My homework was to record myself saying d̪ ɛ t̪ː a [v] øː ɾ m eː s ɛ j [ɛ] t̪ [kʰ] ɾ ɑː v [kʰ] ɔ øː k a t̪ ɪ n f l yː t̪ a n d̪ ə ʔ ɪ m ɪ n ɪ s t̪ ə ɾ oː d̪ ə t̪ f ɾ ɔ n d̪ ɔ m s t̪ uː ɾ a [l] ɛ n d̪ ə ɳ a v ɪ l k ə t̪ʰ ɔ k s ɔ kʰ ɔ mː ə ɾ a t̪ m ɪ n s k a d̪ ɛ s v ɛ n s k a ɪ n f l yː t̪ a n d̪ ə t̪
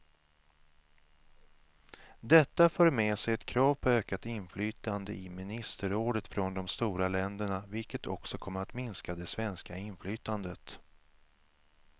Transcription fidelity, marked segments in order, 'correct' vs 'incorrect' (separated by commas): incorrect, correct, correct, incorrect, correct